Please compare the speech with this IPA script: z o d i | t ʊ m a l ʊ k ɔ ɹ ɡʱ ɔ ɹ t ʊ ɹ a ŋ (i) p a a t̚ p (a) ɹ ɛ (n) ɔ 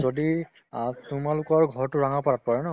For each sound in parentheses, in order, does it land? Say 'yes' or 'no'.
no, yes, yes

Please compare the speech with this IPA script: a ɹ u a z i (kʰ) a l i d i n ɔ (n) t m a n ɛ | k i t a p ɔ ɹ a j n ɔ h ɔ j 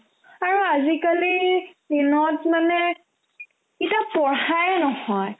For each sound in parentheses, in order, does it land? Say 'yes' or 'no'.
no, no

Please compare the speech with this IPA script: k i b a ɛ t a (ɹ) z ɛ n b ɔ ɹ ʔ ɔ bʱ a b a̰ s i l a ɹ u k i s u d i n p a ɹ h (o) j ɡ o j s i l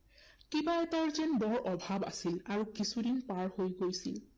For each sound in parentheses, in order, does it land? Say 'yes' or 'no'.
yes, yes

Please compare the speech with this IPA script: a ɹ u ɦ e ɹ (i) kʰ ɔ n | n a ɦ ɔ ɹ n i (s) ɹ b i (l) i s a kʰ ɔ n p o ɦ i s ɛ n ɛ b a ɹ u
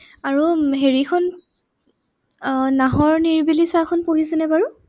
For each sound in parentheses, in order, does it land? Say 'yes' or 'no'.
yes, no, yes

